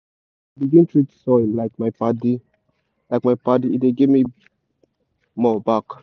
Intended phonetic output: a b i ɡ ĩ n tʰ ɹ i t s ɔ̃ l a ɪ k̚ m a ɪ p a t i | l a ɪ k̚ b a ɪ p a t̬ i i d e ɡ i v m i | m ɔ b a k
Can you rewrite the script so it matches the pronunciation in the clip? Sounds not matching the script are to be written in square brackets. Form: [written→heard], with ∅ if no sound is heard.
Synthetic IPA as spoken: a b i ɡ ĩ n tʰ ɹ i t s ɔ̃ l a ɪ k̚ m a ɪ p a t i | l a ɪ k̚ [b→m] a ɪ p a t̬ i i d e ɡ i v m i | m ɔ b a k

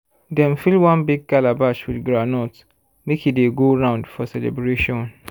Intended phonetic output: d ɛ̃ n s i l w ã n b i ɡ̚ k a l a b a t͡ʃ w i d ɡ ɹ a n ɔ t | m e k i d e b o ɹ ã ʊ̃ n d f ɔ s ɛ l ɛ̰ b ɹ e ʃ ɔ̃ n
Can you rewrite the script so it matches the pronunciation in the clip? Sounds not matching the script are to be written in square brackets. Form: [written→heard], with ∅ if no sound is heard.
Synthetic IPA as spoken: d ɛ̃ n [s→f] i l w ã n b i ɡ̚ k a l a b a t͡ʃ w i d ɡ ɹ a n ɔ t | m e k i d e [b→ɡ] o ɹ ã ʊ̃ n d f ɔ s ɛ l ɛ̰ b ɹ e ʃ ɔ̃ n

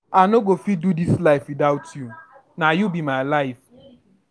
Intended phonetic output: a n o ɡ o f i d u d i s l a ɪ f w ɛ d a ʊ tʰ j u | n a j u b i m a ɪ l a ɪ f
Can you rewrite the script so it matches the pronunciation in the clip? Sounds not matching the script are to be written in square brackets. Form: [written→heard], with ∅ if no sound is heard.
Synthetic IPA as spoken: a n o ɡ o f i d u d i s l a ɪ f w [ɛ→i] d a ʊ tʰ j u | n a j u b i m a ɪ l a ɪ f

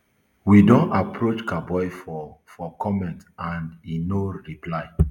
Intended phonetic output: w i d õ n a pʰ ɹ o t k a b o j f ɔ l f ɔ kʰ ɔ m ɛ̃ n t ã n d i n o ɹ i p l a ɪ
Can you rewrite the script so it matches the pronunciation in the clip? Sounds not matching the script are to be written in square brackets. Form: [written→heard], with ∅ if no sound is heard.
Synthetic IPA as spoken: w i d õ n a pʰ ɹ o [t→t͡ʃ] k a b [o→ɔ] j f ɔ [l→∅] f ɔ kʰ ɔ m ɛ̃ n t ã n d i n o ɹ i p l a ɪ

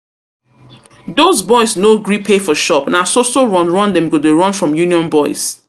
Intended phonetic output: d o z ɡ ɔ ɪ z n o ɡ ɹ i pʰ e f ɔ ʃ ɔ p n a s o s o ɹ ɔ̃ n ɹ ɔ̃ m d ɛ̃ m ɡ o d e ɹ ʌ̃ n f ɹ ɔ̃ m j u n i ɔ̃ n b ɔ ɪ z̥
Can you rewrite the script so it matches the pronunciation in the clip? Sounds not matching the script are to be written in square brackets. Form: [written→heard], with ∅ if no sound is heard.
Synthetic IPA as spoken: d o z [ɡ→b] ɔ ɪ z n o ɡ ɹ i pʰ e f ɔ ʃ ɔ p n a s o s o ɹ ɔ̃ n ɹ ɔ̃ [m→n] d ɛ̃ m ɡ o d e ɹ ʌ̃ n f ɹ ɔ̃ m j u n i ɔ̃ n b ɔ ɪ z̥

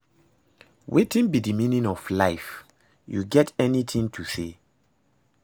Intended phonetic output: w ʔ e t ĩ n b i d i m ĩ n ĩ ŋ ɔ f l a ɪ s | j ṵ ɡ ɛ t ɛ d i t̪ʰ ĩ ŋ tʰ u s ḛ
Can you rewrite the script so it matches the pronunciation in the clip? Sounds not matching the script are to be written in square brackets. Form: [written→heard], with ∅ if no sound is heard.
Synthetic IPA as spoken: w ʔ e t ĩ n b i d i m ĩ n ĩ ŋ ɔ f l a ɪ [s→f] | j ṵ ɡ ɛ t ɛ [d→n] i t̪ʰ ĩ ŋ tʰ u s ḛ

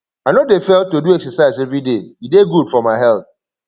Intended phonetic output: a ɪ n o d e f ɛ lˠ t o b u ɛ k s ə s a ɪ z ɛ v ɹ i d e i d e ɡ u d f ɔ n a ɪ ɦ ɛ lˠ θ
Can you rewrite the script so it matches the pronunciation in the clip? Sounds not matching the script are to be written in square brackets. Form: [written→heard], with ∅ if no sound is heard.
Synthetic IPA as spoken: a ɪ n o d e f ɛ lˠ t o [b→d] u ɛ k s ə s a ɪ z ɛ v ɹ i d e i d e ɡ u d f ɔ [n→m] a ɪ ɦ ɛ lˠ θ

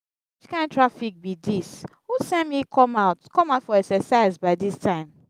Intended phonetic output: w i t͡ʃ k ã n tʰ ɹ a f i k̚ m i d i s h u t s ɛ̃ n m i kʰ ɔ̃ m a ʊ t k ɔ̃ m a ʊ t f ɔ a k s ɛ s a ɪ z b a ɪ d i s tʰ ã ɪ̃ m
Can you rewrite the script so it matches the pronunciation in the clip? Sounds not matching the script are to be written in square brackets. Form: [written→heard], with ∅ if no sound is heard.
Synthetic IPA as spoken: w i t͡ʃ k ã n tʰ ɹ a f i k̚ [m→b] i d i s h u [t→∅] s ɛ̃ n m i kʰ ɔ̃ m a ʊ t k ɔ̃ m a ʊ t f ɔ [a→ɛ] k s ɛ s a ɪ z b a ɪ d i s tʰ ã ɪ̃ m

